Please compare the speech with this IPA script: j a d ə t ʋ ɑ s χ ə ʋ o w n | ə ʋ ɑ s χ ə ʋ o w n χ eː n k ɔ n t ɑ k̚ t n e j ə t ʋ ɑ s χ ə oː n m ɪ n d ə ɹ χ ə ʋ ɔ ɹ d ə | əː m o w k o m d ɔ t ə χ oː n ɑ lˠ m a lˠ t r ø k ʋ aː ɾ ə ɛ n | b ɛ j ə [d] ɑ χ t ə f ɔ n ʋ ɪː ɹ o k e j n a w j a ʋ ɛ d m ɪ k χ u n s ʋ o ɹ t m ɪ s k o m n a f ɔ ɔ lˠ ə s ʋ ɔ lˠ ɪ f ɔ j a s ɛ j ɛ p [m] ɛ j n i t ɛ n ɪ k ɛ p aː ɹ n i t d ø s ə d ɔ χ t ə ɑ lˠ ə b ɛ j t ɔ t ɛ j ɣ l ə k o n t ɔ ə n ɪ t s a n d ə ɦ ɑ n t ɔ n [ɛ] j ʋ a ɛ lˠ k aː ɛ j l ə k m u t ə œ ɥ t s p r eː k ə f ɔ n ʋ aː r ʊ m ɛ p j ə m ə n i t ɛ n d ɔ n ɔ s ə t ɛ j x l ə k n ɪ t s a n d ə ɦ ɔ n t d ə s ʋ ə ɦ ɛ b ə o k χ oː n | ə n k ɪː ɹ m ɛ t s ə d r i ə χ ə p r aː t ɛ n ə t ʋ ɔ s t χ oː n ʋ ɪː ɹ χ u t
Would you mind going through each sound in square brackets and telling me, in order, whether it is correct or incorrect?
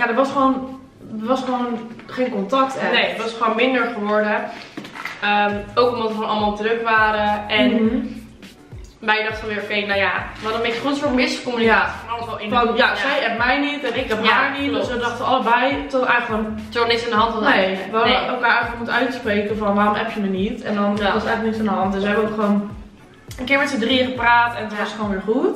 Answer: correct, correct, incorrect

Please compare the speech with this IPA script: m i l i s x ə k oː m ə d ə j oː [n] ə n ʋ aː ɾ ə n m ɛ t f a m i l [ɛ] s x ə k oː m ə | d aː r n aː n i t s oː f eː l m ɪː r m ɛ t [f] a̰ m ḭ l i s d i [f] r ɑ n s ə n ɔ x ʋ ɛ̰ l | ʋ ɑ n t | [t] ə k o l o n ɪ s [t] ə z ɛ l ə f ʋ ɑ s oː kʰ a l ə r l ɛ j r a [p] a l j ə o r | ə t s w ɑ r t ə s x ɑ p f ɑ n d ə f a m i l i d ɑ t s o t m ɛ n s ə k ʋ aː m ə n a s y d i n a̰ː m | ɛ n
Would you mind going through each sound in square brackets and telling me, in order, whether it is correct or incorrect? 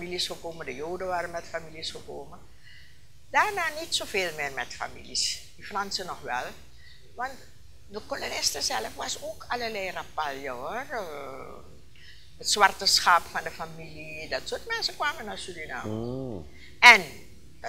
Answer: incorrect, incorrect, correct, correct, incorrect, correct, correct

